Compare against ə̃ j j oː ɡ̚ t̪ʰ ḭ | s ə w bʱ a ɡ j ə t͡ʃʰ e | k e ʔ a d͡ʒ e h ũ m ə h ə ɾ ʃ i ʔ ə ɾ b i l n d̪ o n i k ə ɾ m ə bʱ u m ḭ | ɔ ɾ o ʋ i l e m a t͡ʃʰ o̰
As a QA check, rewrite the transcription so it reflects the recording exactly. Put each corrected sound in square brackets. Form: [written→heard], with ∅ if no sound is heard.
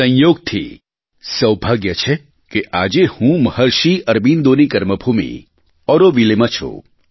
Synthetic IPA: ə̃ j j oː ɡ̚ t̪ʰ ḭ | s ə w bʱ a ɡ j ə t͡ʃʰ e | k e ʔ a d͡ʒ e h ũ m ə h ə ɾ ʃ i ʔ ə ɾ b i [l→∅] n d̪ o n i k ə ɾ m ə bʱ u m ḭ | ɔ ɾ o ʋ i l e m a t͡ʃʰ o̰